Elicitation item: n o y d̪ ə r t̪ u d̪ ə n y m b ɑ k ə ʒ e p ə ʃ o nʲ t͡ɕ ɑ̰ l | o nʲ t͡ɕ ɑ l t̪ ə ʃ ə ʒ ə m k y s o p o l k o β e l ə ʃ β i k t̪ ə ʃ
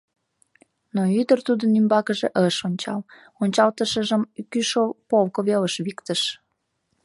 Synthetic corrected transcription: n o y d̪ ə r t̪ u d̪ ə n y m b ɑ k ə ʒ e ʔ ə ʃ o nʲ t͡ɕ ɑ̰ l | o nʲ t͡ɕ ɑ l t̪ ə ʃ ə ʒ ə m k y ʃ o p o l k o β e l ə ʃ β i k t̪ ə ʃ